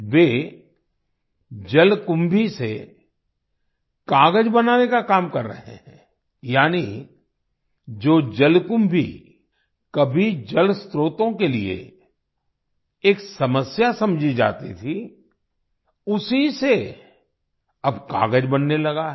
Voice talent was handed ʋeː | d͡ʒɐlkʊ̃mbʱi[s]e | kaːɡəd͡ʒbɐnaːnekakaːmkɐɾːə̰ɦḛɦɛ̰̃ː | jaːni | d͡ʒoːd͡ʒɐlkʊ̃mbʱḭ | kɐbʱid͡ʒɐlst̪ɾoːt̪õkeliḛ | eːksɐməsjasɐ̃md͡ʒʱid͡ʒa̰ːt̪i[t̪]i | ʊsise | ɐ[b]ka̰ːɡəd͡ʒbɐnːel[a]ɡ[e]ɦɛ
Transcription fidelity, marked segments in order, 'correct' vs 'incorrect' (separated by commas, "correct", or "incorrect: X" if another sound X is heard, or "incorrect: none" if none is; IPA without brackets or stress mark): correct, incorrect: t̪ʰ, correct, incorrect: ɐ, incorrect: a